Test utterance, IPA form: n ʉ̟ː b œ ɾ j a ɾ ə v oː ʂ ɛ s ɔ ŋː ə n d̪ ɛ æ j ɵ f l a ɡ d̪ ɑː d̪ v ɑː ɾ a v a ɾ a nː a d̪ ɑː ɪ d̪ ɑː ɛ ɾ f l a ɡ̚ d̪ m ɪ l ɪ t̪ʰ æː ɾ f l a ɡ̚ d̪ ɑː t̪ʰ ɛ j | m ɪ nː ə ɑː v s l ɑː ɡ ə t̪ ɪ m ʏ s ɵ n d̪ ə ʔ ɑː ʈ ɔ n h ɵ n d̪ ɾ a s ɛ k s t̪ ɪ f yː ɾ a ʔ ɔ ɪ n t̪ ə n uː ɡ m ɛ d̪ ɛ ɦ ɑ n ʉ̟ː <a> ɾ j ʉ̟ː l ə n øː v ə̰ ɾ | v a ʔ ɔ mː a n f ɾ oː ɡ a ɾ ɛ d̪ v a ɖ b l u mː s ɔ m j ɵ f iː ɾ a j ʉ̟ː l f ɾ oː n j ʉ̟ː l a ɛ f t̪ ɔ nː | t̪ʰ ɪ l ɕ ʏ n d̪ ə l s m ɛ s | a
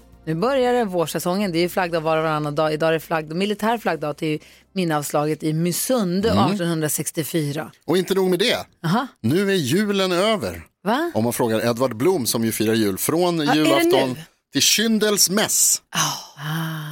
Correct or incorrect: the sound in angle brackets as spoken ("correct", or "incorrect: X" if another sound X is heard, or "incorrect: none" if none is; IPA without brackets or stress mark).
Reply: incorrect: æ